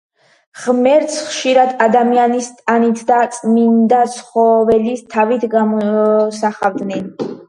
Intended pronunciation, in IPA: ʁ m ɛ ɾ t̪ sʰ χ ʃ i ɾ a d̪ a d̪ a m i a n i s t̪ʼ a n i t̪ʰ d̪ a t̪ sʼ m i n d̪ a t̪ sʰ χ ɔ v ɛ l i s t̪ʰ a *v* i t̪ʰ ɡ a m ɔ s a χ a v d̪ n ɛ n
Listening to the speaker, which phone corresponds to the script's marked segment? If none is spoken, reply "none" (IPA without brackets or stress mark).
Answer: v